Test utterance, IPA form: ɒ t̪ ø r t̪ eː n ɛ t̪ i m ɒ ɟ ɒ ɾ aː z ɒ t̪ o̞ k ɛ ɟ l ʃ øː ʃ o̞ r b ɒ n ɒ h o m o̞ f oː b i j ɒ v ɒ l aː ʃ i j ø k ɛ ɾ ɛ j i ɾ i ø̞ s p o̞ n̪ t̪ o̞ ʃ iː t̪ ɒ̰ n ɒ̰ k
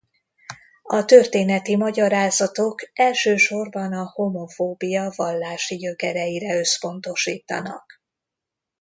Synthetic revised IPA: ɒ t̪ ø r t̪ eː n ɛ t̪ i m ɒ ɟ ɒ ɾ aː z ɒ t̪ o̞ k ɛ l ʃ øː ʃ o̞ r b ɒ n ɒ h o m o̞ f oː b i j ɒ v ɒ lː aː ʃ i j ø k ɛ ɾ ɛ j i ɾ ɛ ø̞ s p o̞ n̪ t̪ o̞ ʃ iː t̪ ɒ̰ n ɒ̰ k